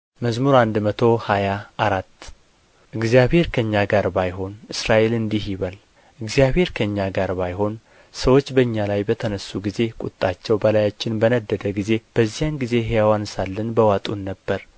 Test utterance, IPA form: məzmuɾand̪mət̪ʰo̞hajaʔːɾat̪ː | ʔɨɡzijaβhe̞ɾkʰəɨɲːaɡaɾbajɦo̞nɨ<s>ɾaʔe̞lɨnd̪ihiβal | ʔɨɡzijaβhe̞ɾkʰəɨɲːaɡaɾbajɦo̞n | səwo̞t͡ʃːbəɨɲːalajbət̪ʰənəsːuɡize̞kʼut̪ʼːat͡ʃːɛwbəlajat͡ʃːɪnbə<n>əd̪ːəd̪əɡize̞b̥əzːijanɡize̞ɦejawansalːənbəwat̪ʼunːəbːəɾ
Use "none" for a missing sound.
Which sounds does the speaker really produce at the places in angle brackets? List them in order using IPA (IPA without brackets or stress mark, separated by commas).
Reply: s, n